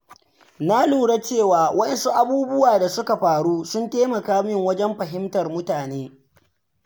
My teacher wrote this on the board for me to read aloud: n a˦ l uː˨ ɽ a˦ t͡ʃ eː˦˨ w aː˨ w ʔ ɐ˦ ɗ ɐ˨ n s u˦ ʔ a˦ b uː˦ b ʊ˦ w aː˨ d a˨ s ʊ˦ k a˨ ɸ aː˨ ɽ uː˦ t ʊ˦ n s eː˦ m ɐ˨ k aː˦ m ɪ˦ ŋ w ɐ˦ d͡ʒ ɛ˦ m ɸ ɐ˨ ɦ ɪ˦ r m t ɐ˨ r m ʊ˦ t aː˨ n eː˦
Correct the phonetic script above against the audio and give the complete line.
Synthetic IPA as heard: n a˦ l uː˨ ɽ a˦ t͡ʃ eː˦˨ w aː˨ w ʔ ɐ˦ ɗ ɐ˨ n s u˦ ʔ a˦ b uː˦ b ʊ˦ w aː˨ d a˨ s ʊ˦ k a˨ ɸ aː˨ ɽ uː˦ s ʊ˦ n t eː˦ m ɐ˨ k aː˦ m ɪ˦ ŋ w ɐ˦ d͡ʒ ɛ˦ m ɸ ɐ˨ ɦ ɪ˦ m t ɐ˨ r m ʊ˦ t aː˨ n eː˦